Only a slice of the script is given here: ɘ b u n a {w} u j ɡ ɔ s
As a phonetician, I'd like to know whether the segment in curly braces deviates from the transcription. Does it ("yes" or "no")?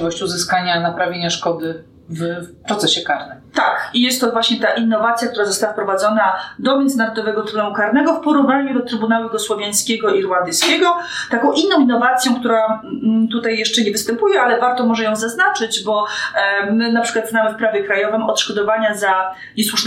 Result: no